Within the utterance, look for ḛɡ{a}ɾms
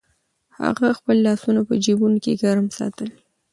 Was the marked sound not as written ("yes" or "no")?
no